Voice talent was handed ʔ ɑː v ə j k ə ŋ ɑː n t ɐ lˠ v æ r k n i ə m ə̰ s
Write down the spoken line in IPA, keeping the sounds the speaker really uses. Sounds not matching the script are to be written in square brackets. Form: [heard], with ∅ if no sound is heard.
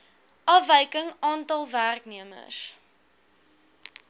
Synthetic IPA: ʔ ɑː v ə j k ə ŋ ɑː n t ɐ lˠ v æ r k n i ə m ə̰ s